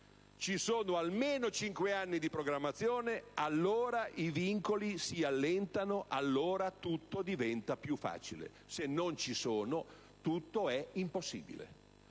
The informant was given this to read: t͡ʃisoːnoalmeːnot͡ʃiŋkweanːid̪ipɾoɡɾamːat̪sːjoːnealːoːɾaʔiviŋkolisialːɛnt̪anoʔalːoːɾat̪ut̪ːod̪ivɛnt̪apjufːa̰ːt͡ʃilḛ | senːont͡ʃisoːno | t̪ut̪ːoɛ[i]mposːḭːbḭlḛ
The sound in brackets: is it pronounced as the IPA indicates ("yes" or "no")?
yes